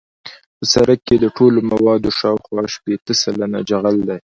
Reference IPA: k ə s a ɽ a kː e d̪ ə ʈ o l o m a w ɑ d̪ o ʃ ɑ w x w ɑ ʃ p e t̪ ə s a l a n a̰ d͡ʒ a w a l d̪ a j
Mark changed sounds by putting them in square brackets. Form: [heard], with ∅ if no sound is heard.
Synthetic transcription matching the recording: [p] ə s a [ɾ] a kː e d̪ ə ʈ o l o m a w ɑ d̪ o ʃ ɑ w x w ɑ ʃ p e t̪ ə s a l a n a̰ d͡ʒ a [ɣ] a l d̪ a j